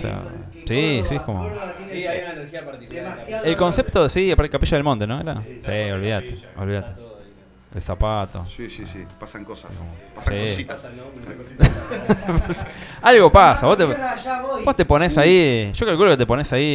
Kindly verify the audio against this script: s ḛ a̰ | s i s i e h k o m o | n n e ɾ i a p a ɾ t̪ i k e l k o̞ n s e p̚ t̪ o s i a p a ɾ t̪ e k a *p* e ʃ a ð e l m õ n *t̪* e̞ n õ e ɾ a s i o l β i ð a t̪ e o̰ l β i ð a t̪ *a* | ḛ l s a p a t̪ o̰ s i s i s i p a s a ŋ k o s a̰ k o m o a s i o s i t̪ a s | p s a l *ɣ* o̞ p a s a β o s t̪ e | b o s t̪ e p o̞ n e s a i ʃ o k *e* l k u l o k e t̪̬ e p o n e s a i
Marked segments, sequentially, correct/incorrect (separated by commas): correct, correct, incorrect, correct, incorrect